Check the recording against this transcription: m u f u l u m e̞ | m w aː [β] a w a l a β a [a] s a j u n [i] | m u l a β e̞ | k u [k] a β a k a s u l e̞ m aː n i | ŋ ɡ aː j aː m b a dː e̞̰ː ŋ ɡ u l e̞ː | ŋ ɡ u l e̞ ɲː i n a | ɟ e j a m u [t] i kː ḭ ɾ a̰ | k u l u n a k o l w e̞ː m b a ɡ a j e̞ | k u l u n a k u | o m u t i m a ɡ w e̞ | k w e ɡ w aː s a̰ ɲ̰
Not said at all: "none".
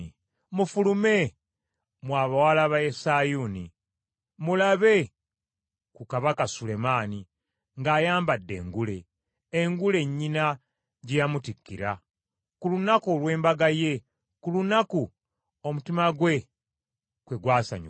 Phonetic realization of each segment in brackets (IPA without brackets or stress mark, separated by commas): β, e, i, k, t